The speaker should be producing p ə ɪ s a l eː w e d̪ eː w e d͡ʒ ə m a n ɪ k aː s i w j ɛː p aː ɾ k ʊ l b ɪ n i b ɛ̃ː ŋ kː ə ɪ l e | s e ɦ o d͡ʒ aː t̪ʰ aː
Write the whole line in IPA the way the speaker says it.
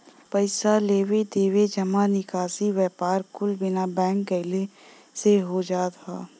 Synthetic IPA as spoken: p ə ɪ s a l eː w e d̪ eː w e d͡ʒ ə m a n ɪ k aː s i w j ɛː p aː ɾ k ʊ l b ɪ n a b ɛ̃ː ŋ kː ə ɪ l e | s e ɦ o d͡ʒ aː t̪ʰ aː